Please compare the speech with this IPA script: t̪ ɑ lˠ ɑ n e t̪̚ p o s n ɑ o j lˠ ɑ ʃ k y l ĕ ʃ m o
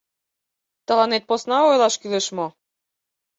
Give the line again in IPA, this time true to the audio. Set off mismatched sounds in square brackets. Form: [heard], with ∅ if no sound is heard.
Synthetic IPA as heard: t̪ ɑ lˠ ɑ n e t̪̚ p o s n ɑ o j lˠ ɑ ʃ k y l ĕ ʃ m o